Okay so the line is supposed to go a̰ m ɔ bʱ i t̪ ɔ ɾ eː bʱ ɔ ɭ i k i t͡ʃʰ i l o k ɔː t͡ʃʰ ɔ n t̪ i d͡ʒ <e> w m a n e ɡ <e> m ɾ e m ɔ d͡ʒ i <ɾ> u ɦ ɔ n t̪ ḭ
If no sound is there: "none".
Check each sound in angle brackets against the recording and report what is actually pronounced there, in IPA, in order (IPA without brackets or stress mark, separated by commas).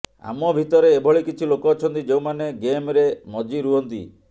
e, e, ɾ